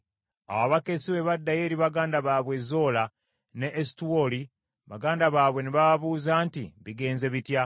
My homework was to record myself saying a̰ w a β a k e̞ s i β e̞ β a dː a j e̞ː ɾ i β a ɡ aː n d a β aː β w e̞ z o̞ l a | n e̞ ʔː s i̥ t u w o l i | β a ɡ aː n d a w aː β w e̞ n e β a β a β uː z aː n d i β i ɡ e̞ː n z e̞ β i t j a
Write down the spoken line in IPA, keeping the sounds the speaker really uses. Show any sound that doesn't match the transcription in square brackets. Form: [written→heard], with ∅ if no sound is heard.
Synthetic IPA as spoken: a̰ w a β a k e̞ s i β e̞ β a dː a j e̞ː ɾ i β a ɡ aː n d a β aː β w e̞ z o̞ l a | n e̞ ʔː s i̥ t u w o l i | β a ɡ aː n d a [w→β] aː β w e̞ n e β a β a β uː z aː n [d→t] i β i ɡ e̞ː n z e̞ β i t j a